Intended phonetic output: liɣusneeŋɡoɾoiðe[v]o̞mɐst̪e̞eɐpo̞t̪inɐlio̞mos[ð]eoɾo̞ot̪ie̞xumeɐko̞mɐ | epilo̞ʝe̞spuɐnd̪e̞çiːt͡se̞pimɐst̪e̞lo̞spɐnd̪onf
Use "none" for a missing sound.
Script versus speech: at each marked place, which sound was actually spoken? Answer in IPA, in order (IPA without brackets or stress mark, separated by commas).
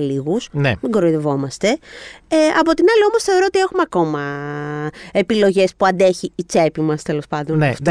v, θ